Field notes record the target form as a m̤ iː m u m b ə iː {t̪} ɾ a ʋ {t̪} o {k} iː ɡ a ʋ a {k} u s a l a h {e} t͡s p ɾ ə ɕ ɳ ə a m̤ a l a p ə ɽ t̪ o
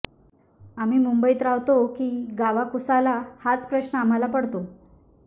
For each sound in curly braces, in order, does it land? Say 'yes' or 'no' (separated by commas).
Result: yes, yes, yes, yes, no